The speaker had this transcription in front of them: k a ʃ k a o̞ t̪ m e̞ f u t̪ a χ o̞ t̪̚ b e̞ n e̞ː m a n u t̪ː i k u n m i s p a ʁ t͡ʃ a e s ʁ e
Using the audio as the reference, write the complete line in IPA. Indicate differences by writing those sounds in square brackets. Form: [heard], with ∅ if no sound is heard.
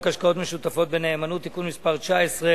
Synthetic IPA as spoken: k a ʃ k a o̞ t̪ m e̞ [ʃ] u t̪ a [f] o̞ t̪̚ b e̞ n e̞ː m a n u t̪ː i k u n m i s p a ʁ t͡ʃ a e s ʁ e